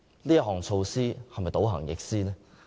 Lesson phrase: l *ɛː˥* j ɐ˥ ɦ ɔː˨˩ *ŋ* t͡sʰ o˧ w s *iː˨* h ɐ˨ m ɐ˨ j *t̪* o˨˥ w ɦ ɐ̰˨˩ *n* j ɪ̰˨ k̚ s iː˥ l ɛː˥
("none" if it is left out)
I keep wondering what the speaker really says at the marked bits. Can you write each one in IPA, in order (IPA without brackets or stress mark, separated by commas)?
iː˥, ŋ, iː˥, t̪, ŋ